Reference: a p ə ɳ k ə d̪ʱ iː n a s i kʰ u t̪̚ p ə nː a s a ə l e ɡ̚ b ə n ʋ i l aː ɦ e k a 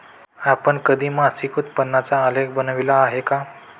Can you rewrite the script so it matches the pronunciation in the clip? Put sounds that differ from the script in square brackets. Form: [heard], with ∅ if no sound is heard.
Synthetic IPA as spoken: a p ə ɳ k ə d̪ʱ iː [m] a s i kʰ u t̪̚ p ə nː a [t͡s] a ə l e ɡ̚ b ə n ʋ i l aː ɦ e k a